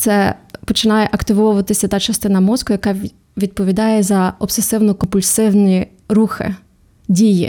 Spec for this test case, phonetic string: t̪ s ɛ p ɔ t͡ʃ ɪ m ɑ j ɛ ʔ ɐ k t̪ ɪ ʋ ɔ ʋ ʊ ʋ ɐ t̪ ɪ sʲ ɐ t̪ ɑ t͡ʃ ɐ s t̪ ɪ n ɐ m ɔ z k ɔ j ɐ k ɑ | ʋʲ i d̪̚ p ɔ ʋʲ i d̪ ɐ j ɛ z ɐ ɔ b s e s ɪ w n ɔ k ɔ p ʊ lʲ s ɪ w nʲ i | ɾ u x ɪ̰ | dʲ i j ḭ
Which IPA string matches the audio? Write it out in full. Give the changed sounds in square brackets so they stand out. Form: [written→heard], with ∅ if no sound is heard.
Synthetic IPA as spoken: t̪ s ɛ p ɔ t͡ʃ ɪ [m→n] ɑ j ɛ ʔ ɐ k t̪ ɪ ʋ ɔ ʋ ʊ ʋ ɐ t̪ ɪ sʲ ɐ t̪ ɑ t͡ʃ ɐ s t̪ ɪ n ɐ m ɔ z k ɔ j ɐ k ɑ | ʋʲ i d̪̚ p ɔ ʋʲ i d̪ [ɐ→ɑ] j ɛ z ɐ ɔ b s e s ɪ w n ɔ k ɔ p ʊ lʲ s ɪ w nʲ i | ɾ u x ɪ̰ | dʲ i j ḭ